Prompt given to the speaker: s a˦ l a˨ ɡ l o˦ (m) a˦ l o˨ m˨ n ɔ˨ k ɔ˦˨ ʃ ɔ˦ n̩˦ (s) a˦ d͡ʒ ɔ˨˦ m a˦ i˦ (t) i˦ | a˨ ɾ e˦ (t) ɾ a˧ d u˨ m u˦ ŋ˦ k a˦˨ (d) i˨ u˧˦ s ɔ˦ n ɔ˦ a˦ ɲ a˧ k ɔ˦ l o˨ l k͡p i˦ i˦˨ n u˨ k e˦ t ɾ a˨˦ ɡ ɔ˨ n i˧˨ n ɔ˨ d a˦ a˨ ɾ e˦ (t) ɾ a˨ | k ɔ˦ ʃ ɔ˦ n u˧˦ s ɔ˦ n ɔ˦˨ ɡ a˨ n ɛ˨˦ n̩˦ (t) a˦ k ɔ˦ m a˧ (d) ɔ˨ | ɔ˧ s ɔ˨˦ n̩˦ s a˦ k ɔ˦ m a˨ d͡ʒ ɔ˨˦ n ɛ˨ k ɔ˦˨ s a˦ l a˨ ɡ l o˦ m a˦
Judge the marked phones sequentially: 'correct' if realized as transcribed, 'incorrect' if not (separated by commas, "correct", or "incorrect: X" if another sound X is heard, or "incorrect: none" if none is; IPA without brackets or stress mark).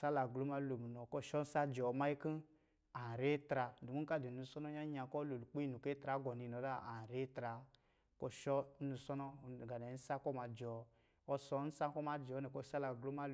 correct, correct, incorrect: k, correct, correct, correct, incorrect: s, incorrect: d͡ʒ